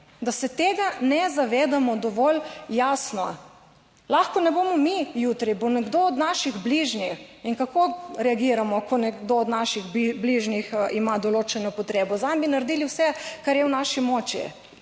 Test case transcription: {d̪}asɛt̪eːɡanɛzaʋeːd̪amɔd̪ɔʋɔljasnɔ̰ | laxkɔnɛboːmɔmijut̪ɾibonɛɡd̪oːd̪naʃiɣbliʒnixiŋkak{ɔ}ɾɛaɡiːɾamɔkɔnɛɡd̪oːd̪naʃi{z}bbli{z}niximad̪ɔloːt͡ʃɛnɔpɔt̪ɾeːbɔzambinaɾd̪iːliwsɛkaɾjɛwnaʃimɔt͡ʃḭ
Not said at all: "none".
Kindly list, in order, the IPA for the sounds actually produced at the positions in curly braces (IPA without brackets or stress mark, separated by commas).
d̪, o, ɣ, ʒ